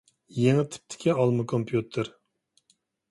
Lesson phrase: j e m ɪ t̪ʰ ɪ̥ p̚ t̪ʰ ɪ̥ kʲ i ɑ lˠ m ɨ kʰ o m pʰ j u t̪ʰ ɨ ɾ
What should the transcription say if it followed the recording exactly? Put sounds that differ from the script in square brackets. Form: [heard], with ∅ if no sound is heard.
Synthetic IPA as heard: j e [ŋ] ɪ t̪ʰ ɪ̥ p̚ t̪ʰ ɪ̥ kʲ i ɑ lˠ m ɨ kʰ o m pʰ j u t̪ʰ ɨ ɾ

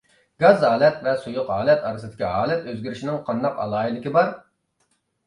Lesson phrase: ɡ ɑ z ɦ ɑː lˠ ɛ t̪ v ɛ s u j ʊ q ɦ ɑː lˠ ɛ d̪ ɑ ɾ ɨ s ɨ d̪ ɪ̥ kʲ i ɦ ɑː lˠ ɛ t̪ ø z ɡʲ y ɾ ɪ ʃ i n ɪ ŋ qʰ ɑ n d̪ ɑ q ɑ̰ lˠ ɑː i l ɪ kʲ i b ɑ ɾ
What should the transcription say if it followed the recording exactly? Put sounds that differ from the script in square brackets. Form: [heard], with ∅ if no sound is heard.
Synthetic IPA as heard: ɡ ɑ z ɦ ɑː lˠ ɛ t̪ v ɛ s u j ʊ q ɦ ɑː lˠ ɛ [t̪] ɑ ɾ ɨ s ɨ d̪ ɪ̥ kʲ i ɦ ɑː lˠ ɛ t̪ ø z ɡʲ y ɾ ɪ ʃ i n ɪ ŋ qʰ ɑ n d̪ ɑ q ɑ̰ lˠ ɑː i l ɪ kʲ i b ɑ ɾ

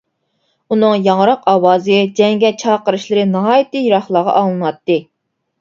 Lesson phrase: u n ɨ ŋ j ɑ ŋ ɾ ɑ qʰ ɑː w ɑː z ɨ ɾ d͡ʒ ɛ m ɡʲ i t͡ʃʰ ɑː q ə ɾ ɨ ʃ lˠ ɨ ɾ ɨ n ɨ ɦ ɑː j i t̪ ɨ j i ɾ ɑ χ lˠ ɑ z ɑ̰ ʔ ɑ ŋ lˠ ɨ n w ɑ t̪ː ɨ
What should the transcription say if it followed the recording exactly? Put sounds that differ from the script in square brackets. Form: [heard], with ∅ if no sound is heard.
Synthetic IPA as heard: u n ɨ ŋ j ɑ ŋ ɾ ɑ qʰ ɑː w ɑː z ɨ [∅] d͡ʒ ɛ [ŋ] ɡʲ [ɛ] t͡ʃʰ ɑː q ə ɾ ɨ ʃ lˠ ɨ ɾ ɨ n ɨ ɦ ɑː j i t̪ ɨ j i ɾ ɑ χ lˠ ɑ [ʁ] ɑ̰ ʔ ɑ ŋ lˠ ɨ n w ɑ t̪ː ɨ

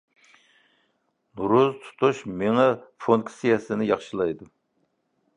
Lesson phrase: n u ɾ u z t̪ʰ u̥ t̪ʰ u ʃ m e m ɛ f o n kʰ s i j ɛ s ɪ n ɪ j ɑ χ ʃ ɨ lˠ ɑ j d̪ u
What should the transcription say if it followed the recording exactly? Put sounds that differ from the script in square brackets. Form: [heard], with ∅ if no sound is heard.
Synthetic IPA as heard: n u ɾ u z t̪ʰ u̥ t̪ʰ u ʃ m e [ŋ] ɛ f o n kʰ s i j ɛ s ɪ n ɪ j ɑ χ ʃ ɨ lˠ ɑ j d̪ u

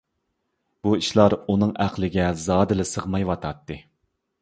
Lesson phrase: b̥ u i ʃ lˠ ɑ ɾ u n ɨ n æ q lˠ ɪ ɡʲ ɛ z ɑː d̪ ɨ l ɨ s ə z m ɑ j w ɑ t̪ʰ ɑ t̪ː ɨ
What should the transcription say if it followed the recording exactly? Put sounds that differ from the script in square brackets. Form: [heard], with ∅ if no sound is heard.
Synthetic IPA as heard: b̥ u i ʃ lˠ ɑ ɾ u n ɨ [ŋ] æ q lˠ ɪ ɡʲ ɛ z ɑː d̪ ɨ l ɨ s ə [ʁ] m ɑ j w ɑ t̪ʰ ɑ t̪ː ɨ

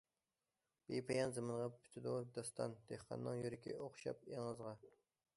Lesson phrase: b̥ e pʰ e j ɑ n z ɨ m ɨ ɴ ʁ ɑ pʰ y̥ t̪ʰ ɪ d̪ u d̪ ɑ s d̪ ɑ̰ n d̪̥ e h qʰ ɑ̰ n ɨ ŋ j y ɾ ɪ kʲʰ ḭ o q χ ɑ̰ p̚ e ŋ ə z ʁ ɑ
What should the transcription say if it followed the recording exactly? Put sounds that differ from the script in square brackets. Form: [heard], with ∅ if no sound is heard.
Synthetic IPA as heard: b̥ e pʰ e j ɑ n z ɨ m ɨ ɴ ʁ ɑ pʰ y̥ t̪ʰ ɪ d̪ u d̪ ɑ s [t̪] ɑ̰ n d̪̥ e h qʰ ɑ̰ [nː] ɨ ŋ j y ɾ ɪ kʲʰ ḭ o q [ʃ] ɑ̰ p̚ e ŋ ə z ʁ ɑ

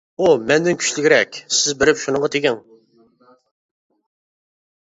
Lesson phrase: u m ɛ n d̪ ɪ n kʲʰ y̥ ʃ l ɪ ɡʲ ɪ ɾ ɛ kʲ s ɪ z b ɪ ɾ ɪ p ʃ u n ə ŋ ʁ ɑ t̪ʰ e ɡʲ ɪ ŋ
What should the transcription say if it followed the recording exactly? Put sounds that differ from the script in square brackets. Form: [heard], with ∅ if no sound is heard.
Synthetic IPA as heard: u m ɛ n d̪ ɪ n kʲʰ y̥ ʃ l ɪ ɡʲ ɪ ɾ ɛ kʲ s ɪ z b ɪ ɾ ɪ p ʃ u n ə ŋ ʁ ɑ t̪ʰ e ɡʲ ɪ ŋ

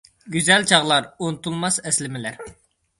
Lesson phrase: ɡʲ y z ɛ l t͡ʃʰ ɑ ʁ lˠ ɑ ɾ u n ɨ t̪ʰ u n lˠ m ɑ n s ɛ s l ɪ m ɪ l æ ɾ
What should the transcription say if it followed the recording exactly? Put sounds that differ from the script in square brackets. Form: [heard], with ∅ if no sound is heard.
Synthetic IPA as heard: ɡʲ y z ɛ l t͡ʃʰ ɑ ʁ lˠ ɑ ɾ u n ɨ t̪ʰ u [∅] lˠ m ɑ [∅] s ɛ s l ɪ m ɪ l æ ɾ

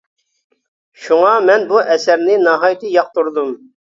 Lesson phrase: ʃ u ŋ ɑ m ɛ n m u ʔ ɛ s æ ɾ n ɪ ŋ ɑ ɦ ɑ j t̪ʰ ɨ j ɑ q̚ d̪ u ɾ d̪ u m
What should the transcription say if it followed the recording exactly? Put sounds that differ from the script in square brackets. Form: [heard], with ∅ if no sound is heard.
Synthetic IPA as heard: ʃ u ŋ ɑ m ɛ n [b] u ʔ ɛ s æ ɾ n ɪ [n] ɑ ɦ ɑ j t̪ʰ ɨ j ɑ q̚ [t̪] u ɾ d̪ u m

